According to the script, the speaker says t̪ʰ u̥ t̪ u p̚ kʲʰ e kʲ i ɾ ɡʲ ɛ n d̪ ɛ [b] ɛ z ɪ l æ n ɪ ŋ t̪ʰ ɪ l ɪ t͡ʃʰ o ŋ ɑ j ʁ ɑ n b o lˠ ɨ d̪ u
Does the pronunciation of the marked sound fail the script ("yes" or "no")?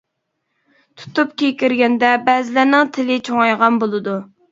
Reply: no